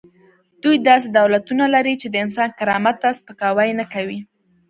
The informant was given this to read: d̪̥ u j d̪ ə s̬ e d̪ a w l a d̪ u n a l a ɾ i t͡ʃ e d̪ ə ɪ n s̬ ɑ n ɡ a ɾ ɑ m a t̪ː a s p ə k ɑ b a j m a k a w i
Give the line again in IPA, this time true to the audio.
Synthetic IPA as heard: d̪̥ u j d̪ ɑ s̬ e d̪ a w l a t̪ u n a l a ɾ i t͡ʃ e d̪ ə ɪ n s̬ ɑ n k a ɾ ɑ m a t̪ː a s p ə k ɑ w a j n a k a w i